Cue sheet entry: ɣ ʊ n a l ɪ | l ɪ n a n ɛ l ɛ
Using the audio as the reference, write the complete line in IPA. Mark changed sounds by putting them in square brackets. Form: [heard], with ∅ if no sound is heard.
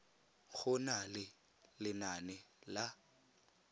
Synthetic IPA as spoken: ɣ ʊ n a l ɪ | l ɪ n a n ɛ l [a]